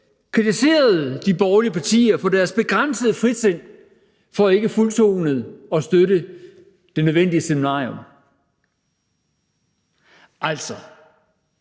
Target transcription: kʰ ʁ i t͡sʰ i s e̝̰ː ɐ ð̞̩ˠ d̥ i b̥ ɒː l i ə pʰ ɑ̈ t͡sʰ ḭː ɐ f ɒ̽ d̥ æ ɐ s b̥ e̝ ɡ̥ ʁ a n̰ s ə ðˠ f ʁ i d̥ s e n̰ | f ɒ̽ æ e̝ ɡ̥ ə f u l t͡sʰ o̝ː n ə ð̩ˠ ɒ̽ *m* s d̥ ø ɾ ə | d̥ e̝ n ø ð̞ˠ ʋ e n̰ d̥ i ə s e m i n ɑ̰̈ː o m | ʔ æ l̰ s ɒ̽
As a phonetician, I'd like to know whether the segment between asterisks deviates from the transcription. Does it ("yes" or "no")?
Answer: yes